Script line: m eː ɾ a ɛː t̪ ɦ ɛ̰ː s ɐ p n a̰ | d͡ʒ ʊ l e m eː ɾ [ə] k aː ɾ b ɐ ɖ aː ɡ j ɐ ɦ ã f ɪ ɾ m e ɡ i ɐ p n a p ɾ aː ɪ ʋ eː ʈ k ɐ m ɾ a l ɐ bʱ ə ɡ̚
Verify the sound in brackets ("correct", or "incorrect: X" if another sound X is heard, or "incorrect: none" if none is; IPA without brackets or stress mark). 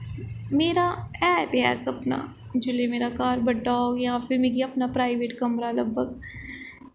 incorrect: a